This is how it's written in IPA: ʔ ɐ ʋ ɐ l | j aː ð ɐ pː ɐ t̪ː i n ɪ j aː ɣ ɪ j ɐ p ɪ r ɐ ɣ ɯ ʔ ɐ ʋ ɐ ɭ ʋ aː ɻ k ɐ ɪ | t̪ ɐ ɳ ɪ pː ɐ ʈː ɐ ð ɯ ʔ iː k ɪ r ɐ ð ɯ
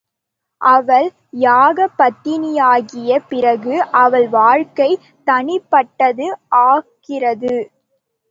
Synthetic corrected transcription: ʔ ɐ ʋ ɐ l | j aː ɣ ɐ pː ɐ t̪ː ɪ n ɪ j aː ɣ ɪ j ɐ p ɪ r ɐ ɣ ɯ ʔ ɐ ʋ ɐ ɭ ʋ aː ɻ k ɐ ɪ | t̪ ɐ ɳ ɪ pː ɐ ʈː ɐ ð ɯ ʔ aː k ɪ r ɐ ð ɯ